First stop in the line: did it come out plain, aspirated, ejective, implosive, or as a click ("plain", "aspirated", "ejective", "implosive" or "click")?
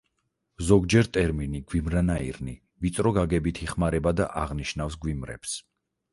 plain